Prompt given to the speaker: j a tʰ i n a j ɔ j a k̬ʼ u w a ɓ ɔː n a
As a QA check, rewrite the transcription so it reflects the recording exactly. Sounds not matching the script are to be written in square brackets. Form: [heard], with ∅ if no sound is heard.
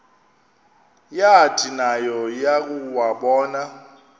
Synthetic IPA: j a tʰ i n a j ɔ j a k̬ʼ u w a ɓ ɔː n a

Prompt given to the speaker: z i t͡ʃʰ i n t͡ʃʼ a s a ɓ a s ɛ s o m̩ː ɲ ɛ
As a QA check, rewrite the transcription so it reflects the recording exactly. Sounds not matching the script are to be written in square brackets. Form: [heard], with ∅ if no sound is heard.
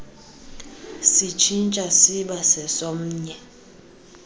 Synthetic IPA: [s] i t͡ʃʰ i n t͡ʃʼ a s [i] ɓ a s ɛ s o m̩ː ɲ ɛ

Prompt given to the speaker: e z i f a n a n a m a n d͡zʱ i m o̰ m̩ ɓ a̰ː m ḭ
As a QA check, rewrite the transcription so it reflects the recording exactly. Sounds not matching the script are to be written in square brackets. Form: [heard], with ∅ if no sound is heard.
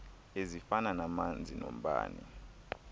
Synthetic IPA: e z i f a n a n a m a n d͡zʱ i [n] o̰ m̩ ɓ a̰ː [n] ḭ

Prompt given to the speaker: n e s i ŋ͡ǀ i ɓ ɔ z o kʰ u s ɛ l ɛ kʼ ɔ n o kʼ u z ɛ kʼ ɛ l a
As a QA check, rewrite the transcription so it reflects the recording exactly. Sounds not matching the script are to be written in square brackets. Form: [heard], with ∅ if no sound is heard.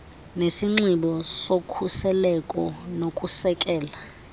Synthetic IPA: n e s i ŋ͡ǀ i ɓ ɔ [s] o kʰ u s ɛ l ɛ kʼ ɔ n o kʼ u [s] ɛ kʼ [ɛː] l a

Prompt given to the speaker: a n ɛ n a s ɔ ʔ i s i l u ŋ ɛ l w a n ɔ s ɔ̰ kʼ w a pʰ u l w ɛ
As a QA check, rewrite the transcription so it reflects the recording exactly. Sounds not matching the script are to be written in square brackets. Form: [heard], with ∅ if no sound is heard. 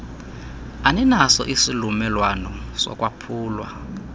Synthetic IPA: a n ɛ n a s ɔ ʔ i s i l u [m] ɛ l w a n ɔ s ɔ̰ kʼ w a pʰ [uː] l w [a]

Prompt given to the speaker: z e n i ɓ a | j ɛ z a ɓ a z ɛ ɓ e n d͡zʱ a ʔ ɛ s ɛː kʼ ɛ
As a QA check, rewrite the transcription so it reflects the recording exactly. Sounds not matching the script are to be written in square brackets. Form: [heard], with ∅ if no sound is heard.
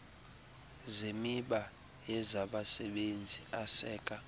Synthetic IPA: z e [m] i ɓ a | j ɛ z a ɓ a [s] ɛ ɓ e n d͡zʱ [i] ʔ [a] s ɛː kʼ [a]

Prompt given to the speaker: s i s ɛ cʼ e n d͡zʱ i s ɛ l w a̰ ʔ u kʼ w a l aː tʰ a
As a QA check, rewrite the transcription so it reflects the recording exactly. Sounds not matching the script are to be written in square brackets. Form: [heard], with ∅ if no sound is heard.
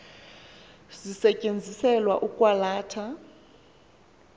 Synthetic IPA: [z] i s ɛ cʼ e n d͡zʱ i s ɛ l w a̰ ʔ u kʼ w a l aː tʰ a

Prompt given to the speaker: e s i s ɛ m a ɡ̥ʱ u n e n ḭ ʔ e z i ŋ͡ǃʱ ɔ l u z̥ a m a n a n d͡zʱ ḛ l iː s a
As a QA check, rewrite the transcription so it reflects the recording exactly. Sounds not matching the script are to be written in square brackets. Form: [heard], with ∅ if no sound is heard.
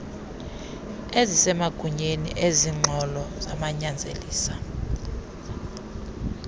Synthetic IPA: e [z] i s ɛ m a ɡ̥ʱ u [ɲ] e n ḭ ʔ e z i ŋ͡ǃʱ ɔ l [ɔ] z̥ a m a [ɲ] a n d͡zʱ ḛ l iː s a

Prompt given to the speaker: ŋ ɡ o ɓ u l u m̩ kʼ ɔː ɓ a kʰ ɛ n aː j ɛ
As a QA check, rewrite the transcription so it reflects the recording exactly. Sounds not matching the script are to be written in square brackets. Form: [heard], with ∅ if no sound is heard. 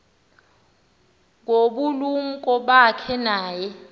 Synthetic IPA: ŋ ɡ o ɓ u l u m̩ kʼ [ɔ] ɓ a kʰ ɛ n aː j ɛ

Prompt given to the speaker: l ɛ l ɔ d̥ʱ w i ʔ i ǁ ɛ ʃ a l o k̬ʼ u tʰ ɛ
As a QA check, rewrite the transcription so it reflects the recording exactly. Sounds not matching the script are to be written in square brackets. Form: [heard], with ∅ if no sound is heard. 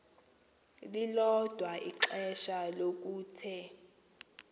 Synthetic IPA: l [i] l ɔ d̥ʱ w [a] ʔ i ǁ ɛ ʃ a l o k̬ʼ [uː] tʰ ɛ

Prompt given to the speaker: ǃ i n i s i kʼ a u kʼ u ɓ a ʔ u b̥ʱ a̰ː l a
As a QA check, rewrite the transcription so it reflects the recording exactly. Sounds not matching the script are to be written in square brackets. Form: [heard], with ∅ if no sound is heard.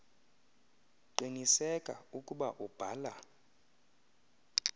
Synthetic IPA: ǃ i n i s [ɛ] kʼ a u kʼ u ɓ a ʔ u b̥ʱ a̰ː l a

